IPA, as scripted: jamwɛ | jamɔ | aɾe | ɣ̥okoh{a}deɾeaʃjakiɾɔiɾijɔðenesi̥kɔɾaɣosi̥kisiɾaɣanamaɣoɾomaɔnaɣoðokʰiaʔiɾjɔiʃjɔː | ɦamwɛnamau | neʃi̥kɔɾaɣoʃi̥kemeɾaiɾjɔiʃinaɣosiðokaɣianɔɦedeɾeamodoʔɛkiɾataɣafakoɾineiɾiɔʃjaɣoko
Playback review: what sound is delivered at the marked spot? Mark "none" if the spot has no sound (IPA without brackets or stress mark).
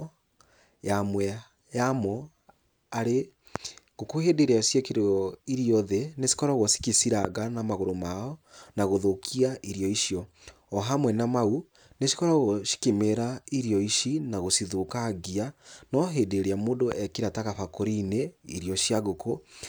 e